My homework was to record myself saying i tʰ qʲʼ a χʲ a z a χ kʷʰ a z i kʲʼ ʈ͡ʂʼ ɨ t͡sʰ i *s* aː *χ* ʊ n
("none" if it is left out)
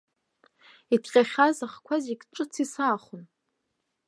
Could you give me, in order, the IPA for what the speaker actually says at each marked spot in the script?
s, χ

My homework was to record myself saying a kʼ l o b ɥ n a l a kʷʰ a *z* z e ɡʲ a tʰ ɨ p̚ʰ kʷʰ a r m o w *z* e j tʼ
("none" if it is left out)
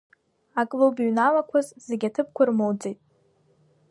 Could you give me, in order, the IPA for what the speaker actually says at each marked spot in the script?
z, d͡z

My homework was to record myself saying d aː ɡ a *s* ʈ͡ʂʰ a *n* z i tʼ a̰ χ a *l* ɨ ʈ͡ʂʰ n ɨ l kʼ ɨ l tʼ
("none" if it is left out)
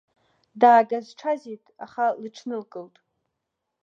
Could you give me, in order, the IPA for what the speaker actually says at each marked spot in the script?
z, none, l

